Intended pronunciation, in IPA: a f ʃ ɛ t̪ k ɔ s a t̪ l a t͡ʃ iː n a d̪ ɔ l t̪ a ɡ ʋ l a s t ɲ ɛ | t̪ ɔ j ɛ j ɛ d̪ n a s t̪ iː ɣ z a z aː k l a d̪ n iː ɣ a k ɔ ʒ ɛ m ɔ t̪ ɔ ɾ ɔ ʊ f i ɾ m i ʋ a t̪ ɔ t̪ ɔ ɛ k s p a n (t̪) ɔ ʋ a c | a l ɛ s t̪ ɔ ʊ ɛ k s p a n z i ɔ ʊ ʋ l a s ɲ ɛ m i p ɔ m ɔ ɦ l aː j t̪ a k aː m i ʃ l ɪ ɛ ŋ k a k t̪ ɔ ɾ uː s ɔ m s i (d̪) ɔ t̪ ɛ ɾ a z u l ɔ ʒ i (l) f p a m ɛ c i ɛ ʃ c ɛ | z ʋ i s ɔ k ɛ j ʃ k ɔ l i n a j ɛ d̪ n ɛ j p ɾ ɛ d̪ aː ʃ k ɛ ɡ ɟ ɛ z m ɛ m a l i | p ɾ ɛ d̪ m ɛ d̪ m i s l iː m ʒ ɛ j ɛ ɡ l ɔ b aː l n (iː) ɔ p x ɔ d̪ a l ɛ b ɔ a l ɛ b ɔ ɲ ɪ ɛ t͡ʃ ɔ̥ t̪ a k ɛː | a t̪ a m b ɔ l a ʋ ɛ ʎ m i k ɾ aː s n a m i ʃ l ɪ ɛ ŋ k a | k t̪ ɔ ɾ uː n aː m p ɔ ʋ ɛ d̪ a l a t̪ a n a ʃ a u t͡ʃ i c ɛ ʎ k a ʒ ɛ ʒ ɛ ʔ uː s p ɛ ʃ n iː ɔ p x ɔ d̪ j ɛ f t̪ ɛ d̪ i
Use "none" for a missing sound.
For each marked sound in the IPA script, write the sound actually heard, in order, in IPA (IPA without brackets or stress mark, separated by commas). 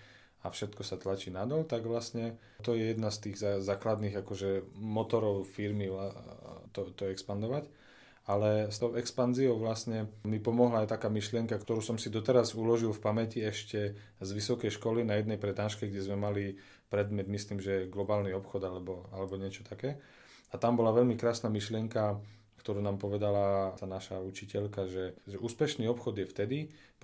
d̪, d̪, l, i